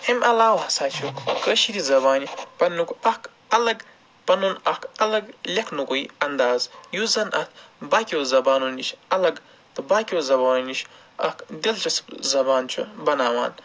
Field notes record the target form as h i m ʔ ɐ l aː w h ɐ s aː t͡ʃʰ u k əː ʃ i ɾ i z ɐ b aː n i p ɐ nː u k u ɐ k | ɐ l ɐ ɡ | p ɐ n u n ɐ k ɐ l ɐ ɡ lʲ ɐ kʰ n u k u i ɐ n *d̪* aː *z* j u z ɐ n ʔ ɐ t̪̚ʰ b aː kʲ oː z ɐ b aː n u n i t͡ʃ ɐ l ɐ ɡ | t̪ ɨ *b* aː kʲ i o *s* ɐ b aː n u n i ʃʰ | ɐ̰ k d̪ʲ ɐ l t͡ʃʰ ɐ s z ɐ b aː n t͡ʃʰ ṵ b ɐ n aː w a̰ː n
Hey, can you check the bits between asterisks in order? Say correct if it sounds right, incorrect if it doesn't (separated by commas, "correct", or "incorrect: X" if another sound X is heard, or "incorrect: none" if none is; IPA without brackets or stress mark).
correct, correct, correct, incorrect: z